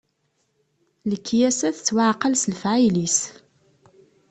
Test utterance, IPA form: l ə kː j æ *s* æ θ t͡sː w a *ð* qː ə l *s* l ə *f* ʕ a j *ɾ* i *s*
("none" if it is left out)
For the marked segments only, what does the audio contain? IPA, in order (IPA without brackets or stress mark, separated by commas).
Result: s, ʕ, s, f, l, s